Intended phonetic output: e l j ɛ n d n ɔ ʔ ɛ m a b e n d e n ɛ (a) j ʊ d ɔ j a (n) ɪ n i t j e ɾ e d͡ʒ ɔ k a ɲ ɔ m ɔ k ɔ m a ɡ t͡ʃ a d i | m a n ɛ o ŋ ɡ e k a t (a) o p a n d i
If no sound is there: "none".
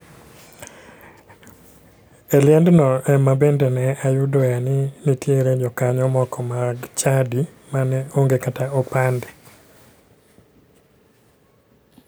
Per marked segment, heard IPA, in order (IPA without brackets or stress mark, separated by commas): a, n, a